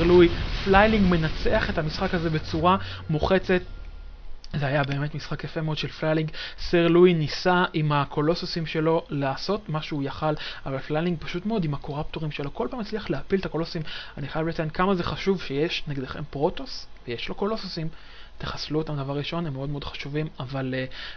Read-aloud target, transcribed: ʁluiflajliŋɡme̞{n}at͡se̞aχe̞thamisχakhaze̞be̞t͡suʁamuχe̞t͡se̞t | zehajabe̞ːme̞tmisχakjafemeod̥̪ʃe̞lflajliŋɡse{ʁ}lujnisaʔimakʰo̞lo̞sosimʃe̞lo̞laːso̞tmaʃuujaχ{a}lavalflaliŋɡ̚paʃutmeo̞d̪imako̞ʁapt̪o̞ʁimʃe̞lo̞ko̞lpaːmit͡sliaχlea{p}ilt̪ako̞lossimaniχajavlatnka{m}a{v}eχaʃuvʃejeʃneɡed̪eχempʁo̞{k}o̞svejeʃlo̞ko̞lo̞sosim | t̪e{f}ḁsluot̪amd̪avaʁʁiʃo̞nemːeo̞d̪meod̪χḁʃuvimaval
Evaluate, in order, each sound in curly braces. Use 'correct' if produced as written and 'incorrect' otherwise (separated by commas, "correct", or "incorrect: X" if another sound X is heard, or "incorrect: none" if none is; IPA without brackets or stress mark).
correct, correct, correct, correct, correct, incorrect: z, incorrect: t, incorrect: χ